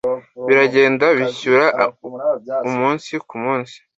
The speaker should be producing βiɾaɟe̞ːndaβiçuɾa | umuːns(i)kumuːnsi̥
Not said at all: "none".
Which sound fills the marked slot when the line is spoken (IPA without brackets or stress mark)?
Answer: i